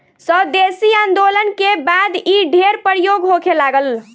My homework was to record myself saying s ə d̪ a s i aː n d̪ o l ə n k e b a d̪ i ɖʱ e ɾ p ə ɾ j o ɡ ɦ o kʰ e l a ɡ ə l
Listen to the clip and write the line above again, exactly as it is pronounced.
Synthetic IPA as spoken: s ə d̪ e s i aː n d̪ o l ə n k e b a d̪ i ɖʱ e ɾ p ə ɾ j o ɡ ɦ o kʰ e l a ɡ ə l